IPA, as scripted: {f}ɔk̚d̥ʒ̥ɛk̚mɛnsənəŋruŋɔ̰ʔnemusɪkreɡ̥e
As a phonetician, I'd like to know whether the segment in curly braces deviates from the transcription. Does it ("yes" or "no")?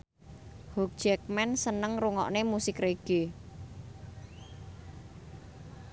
yes